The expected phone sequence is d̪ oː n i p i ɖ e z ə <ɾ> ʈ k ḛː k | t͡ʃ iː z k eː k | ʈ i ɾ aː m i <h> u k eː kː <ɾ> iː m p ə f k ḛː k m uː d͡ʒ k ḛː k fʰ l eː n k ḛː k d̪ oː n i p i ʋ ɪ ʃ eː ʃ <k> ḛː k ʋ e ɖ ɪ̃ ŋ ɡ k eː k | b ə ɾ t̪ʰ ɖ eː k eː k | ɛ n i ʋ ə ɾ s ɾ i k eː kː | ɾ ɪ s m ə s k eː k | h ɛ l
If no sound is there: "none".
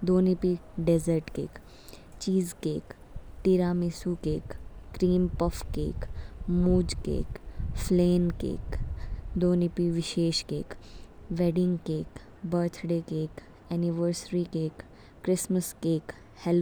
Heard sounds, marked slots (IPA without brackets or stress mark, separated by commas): ɾ, s, ɾ, k